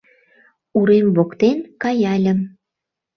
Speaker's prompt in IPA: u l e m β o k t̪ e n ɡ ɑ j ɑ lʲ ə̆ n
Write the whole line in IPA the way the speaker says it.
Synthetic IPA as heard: u ɾ e m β o k t̪ e n k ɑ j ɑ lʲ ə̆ m